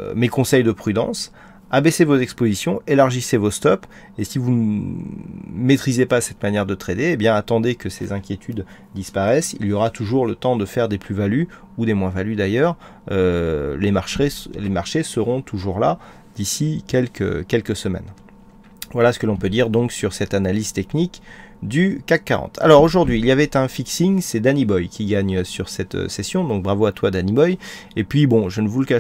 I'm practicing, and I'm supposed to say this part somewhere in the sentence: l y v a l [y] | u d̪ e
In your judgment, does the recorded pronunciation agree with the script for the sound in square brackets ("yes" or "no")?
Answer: yes